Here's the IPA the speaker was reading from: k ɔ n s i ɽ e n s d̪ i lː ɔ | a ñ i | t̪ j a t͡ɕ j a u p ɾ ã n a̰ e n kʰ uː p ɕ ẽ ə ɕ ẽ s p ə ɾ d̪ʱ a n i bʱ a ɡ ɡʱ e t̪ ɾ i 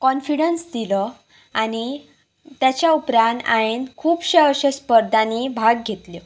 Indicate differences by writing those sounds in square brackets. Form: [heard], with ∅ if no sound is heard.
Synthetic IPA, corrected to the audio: k ɔ n [f] i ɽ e n s d̪ i [l] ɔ | a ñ i | t̪ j a t͡ɕ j a u p ɾ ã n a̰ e n kʰ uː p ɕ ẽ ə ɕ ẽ s p ə ɾ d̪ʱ a n i bʱ a ɡ ɡʱ e t̪ [l] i